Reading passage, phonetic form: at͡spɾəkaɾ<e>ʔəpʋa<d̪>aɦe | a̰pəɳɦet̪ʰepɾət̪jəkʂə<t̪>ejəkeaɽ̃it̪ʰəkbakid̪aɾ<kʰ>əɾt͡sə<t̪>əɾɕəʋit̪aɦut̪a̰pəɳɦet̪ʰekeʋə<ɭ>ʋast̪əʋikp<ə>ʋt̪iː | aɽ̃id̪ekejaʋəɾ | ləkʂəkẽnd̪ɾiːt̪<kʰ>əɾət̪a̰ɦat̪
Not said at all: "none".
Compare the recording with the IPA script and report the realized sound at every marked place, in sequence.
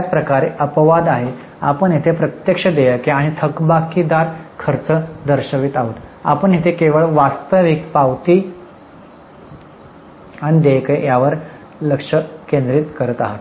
e, d̪, d̪, kʰ, d̪, ɭ, a, k

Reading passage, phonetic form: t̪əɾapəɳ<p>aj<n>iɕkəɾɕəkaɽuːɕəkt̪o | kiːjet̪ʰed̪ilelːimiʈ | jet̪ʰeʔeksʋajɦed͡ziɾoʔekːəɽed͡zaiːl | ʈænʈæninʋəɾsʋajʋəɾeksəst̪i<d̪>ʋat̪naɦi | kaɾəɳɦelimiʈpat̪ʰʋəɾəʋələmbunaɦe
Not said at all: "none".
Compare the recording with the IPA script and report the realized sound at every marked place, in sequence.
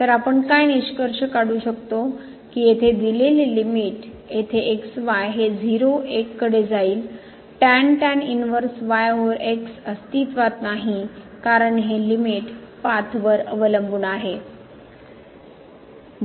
k, n, t̪

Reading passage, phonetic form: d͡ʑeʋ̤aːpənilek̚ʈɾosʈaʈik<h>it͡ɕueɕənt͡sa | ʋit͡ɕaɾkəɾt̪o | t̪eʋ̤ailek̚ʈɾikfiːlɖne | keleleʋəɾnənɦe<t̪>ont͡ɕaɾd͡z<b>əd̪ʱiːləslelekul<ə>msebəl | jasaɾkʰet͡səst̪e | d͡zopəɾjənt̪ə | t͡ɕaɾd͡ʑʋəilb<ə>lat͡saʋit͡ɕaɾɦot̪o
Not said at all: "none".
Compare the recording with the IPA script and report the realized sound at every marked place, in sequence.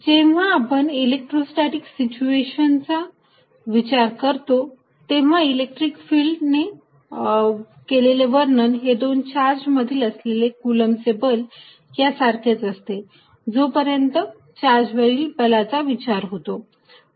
s, d̪, m, ə, ə

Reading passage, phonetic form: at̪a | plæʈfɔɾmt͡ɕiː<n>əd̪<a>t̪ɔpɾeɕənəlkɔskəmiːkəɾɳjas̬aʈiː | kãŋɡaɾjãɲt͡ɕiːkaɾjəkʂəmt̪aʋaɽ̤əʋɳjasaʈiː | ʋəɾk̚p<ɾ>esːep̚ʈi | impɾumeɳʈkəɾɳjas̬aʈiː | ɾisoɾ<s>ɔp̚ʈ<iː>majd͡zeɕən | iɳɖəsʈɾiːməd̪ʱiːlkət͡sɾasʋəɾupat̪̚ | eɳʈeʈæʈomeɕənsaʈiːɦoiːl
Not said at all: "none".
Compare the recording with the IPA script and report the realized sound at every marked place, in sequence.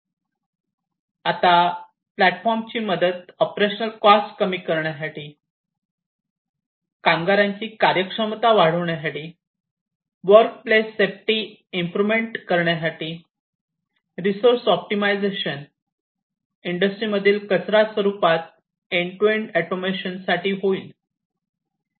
m, ə, l, s, i

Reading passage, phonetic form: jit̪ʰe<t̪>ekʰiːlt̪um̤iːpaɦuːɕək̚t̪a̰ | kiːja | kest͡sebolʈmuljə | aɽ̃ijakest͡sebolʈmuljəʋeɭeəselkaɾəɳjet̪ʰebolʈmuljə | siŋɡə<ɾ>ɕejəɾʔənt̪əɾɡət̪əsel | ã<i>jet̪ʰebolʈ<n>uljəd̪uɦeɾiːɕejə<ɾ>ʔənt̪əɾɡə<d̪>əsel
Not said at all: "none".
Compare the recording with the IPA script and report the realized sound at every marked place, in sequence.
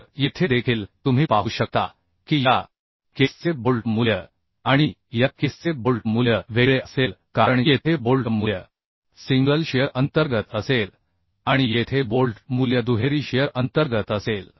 d̪, l, i, m, ɾ, t̪

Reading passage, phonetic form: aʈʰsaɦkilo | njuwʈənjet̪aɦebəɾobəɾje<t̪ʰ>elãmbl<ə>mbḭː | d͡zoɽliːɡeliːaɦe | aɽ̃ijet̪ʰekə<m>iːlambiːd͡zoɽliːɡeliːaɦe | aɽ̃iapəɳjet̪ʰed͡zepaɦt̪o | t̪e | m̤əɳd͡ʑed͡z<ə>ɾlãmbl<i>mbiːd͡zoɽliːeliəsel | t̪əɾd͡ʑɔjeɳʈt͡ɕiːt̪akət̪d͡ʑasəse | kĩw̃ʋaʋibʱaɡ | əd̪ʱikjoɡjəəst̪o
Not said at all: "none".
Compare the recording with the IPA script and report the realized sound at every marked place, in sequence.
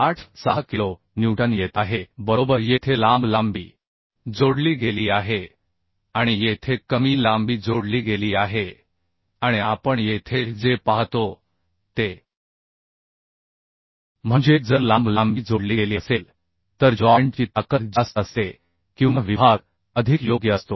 t̪ʰ, a, m, ə, a

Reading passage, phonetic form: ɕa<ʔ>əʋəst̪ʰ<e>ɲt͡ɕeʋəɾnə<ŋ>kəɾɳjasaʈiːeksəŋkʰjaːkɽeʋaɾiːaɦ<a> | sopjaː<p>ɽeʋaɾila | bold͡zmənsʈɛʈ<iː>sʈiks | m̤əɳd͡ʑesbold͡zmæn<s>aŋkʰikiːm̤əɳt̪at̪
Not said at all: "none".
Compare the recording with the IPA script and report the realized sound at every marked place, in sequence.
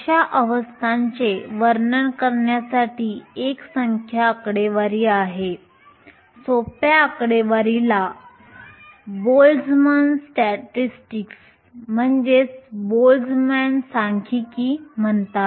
ʔ, a, ɳ, e, k, i, s

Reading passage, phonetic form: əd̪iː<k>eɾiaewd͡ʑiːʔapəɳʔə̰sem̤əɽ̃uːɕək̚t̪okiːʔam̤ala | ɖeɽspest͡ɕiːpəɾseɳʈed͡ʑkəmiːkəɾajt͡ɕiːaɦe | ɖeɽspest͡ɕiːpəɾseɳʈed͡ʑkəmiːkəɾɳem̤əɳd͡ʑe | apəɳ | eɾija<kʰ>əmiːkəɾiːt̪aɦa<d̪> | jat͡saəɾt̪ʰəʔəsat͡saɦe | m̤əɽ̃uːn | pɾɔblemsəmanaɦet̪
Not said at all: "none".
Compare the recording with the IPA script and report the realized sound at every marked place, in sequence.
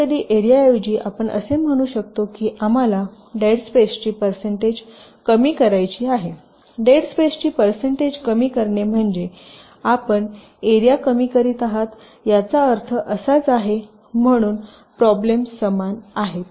ʔ, k, t̪

